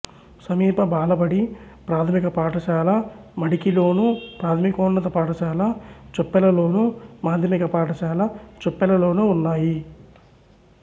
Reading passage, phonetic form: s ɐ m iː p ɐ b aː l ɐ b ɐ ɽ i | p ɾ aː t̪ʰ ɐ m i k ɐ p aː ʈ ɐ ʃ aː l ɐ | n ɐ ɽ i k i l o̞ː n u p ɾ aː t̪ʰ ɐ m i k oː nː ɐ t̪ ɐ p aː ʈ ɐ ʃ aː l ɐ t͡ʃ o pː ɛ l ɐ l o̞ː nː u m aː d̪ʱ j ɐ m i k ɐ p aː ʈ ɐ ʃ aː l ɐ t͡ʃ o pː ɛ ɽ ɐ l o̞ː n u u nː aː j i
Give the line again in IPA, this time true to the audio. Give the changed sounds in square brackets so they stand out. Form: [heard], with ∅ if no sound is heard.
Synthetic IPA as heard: s ɐ m iː p ɐ b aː l ɐ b ɐ ɽ i | p ɾ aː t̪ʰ ɐ m i k ɐ p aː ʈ ɐ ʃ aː l ɐ | [m] ɐ ɽ i k i l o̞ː n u p ɾ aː t̪ʰ ɐ m i k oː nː ɐ t̪ ɐ p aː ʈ ɐ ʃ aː l ɐ t͡ʃ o pː ɛ l ɐ l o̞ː [n] u m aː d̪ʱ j ɐ m i k ɐ p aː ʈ ɐ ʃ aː l ɐ t͡ʃ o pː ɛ [l] ɐ l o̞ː n u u nː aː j i